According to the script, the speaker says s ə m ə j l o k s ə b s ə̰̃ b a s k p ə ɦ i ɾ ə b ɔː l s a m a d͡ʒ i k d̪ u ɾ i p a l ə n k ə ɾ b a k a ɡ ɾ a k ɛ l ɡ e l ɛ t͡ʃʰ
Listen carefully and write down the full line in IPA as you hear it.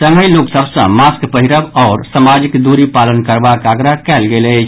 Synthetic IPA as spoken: s ə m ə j l o k s ə b s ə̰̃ m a s k p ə ɦ i ɾ ə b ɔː ɾ s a m a d͡ʒ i k d̪ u ɾ i p a l ə n k ə ɾ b a k a ɡ ɾ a k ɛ l ɡ e l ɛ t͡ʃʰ